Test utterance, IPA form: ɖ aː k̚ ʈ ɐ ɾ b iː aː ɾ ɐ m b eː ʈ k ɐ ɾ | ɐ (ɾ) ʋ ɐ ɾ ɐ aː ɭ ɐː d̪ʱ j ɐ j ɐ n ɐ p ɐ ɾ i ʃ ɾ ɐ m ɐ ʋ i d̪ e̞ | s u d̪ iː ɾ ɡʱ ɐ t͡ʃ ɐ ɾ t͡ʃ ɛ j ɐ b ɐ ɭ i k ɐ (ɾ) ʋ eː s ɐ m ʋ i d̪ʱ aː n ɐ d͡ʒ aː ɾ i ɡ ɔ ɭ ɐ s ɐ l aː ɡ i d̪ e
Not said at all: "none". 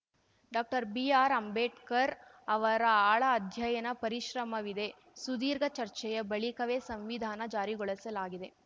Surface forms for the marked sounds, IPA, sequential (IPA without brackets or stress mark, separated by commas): none, none